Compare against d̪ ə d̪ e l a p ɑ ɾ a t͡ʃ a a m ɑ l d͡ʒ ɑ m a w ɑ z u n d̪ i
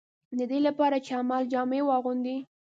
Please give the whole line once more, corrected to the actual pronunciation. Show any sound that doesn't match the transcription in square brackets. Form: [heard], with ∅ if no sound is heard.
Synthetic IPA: d̪ ə d̪ e l a p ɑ ɾ a t͡ʃ [e] a m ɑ l d͡ʒ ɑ m [e] w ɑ [ɣ] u n d̪ i